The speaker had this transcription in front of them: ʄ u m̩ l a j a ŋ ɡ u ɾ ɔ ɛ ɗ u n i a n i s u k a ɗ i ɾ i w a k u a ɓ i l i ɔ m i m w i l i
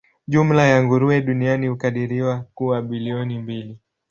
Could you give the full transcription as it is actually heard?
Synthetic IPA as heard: ʄ u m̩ l a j a ŋ ɡ u ɾ u ɛ ɗ u n i a n i h u k a ɗ i ɾ i w a k u a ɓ i l i ɔ n i m b i l i